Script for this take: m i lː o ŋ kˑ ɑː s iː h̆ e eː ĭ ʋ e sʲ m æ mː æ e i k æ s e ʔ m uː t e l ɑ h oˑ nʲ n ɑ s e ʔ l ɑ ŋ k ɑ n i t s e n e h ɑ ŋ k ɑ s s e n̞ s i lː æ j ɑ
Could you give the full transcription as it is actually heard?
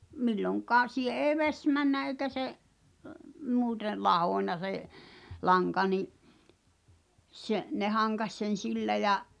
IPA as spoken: m i lː o ŋ kˑ ɑː s iː h̆ e eː ĭ ʋ e sʲ m æ nː æ e i k æ s e ʔ m uː t e l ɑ h oˑ nʲ n ɑ s e ʔ l ɑ ŋ k ɑ n i ʔ s e n e h ɑ ŋ k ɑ s s e n̞ s i lː æ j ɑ